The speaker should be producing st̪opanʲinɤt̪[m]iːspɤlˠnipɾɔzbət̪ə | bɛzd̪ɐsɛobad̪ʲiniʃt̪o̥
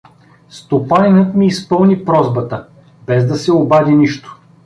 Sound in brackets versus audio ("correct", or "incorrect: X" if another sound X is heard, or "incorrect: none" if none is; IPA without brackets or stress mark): correct